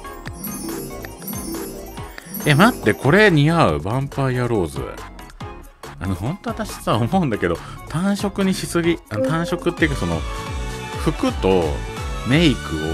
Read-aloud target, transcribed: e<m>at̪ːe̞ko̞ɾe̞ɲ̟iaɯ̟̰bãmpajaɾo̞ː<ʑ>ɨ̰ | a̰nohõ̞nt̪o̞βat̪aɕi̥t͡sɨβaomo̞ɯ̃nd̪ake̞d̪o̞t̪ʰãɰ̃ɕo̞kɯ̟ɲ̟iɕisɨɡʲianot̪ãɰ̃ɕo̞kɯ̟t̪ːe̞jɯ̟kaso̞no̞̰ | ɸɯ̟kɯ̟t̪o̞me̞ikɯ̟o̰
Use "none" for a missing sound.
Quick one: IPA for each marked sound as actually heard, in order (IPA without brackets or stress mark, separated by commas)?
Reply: m, z